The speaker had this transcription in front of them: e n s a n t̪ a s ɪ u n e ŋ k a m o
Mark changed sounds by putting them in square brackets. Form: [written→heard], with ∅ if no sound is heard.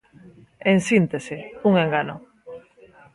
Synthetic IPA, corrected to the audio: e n s [a→i] n t̪ [a→e] s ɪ u [n→ŋ] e ŋ [k→ɡ] a [m→n] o